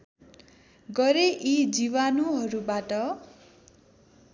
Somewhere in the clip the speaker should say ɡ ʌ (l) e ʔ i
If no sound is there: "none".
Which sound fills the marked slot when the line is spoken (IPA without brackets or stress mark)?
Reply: ɾ